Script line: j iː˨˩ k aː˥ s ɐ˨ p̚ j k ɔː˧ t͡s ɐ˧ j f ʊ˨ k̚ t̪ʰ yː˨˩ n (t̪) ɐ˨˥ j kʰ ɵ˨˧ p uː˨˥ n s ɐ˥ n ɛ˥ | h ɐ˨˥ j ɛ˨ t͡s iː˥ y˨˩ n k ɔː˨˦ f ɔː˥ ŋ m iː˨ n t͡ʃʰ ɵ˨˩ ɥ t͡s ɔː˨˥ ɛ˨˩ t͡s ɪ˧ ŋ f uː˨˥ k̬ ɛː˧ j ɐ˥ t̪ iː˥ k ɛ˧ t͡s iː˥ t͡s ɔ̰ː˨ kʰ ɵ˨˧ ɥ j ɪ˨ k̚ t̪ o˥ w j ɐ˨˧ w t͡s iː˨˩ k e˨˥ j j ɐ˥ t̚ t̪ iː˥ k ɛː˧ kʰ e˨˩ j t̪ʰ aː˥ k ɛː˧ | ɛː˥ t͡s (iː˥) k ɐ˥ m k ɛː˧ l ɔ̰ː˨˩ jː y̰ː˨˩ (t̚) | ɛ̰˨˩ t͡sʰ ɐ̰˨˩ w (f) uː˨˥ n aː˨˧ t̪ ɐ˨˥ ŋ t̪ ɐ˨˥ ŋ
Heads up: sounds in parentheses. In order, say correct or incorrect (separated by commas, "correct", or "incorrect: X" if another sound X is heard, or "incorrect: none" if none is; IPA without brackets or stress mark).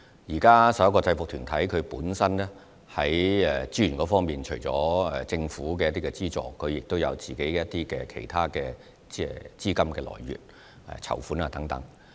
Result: incorrect: t̪ʰ, correct, correct, correct